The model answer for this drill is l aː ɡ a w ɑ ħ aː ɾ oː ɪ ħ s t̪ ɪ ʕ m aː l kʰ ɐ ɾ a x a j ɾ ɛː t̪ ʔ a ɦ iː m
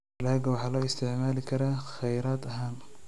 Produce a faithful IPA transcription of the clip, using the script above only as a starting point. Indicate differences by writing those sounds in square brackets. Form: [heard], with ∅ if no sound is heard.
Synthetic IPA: l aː ɡ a w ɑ ħ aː [l] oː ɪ [∅] s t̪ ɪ ʕ m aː l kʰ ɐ ɾ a x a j ɾ [aː] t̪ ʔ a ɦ [aː] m